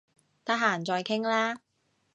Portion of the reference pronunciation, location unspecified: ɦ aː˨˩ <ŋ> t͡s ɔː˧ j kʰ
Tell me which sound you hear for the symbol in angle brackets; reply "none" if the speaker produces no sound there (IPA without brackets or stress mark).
n